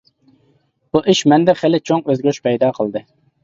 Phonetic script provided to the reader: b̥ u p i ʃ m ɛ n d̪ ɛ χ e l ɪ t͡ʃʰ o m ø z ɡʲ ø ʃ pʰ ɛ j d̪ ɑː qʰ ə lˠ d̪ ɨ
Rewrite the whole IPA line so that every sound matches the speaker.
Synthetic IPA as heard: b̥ u ʔ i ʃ m ɛ n d̪ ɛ χ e l ɪ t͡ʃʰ o ŋ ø z ɡʲ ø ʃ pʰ ɛ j d̪ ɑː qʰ ə lˠ d̪ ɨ